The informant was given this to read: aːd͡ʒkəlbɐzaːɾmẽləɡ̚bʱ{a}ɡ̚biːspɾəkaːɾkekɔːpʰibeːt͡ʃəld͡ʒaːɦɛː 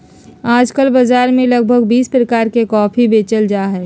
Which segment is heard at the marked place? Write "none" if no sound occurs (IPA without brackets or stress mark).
ə